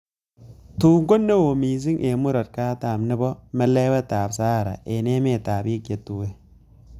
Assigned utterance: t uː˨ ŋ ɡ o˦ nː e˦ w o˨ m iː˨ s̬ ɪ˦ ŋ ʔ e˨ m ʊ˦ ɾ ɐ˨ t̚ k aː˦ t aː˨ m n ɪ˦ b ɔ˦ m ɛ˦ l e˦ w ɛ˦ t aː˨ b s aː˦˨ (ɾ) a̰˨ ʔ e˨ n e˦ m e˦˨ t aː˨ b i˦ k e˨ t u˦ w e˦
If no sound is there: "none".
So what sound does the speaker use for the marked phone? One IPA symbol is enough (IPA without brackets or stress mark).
ɾ